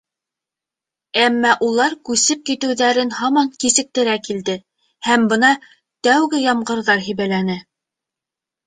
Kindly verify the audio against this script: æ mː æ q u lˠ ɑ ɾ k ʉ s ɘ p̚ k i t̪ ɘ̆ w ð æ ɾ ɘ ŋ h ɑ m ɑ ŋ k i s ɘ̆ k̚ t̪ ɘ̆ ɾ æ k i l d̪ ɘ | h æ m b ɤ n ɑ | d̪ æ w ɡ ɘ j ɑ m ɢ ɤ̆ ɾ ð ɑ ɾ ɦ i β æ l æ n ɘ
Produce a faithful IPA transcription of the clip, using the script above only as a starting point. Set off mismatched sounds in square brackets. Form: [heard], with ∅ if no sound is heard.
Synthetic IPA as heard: æ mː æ [ʔ] u lˠ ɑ ɾ k ʉ s ɘ p̚ k i t̪ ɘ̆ w ð æ ɾ ɘ [n] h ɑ m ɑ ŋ k i s ɘ̆ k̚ t̪ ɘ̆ ɾ æ k i l d̪ ɘ | h æ m b ɤ n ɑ | [t̪] æ w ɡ ɘ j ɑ m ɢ ɤ̆ ɾ ð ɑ ɾ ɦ i β æ l æ n ɘ